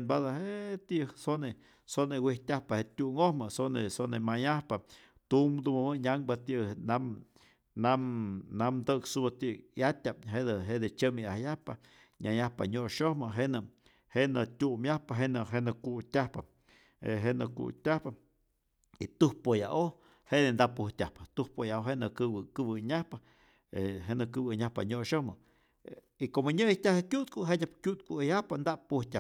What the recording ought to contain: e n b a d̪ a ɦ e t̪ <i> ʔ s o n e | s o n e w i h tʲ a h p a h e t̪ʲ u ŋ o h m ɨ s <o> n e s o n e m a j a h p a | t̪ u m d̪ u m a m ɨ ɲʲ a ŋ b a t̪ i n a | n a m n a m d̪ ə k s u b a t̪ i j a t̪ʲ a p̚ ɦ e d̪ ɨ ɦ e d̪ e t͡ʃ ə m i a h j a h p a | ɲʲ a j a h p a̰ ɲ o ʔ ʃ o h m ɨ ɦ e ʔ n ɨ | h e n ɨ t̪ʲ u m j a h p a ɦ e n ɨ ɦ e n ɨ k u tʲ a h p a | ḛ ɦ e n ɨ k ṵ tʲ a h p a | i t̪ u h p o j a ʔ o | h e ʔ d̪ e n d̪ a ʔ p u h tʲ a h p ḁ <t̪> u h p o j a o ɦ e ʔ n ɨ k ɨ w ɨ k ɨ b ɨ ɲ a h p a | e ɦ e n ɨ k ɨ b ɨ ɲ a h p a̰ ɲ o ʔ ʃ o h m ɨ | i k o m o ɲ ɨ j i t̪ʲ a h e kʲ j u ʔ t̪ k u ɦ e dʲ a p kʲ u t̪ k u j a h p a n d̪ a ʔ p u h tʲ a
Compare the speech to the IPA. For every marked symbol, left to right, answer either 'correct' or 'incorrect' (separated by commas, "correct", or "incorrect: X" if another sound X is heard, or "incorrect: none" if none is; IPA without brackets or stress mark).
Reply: correct, correct, correct